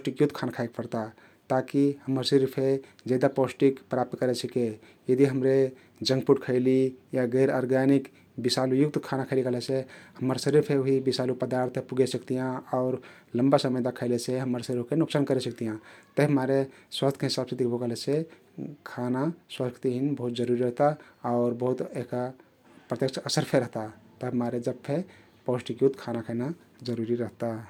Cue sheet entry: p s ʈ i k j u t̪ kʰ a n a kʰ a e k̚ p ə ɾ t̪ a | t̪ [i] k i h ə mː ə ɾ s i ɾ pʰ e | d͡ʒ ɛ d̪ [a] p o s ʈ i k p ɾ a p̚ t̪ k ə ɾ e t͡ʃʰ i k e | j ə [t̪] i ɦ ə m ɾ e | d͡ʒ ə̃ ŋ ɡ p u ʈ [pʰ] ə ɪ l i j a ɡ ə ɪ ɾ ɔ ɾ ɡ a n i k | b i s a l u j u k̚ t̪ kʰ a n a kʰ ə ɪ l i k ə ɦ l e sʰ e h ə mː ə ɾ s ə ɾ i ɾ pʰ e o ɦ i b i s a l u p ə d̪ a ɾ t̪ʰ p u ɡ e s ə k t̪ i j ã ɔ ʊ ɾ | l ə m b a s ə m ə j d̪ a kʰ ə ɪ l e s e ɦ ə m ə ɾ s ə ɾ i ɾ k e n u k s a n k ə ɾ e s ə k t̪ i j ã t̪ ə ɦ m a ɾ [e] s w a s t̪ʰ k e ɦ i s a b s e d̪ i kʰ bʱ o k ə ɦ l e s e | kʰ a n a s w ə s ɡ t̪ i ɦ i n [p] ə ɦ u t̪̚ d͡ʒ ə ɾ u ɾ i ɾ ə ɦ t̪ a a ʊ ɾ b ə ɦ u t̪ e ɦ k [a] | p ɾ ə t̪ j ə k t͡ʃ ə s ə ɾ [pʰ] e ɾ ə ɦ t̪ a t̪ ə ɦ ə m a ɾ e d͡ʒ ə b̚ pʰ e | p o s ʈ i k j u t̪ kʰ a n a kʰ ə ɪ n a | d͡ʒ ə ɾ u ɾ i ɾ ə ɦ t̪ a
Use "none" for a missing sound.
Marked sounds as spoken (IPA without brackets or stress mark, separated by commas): a, a, d̪, kʰ, e, b, a, pʰ